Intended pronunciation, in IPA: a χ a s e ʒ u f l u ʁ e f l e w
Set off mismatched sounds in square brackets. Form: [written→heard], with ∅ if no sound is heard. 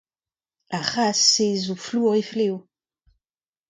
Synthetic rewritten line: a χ a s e [ʒ→z] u f l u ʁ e f l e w